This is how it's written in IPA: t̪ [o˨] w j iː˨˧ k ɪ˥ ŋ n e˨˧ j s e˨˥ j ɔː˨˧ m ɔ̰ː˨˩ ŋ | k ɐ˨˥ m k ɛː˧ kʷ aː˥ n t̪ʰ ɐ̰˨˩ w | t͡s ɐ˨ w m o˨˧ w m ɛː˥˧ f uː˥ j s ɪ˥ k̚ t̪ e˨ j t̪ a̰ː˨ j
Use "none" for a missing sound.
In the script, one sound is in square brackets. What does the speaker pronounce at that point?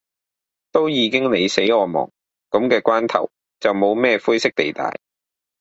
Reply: o˥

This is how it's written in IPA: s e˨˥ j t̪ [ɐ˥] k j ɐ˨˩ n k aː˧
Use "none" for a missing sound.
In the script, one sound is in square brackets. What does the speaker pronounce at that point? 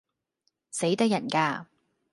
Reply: ɐ˥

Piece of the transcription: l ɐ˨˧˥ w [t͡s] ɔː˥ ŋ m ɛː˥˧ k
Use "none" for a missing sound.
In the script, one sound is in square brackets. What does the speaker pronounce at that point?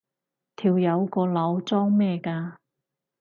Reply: t͡s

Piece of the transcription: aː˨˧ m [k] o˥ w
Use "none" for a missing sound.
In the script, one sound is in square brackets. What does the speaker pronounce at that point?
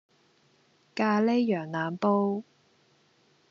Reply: p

